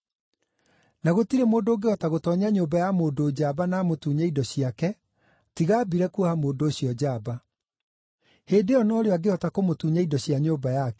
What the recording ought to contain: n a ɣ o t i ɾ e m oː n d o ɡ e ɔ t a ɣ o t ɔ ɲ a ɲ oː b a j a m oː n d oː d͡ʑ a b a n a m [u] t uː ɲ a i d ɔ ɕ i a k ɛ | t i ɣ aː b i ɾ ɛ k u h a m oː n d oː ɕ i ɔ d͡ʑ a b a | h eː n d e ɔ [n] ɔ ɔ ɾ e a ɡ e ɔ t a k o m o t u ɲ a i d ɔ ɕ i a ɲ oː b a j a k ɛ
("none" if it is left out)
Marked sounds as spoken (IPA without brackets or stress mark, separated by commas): o, n